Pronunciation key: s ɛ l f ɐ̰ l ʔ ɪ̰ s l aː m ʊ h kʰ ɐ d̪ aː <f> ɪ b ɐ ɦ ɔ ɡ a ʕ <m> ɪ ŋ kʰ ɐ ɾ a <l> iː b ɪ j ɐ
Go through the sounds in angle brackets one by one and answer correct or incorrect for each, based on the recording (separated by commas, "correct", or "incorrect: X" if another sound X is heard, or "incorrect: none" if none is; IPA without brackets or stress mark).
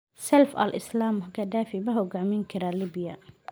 correct, correct, correct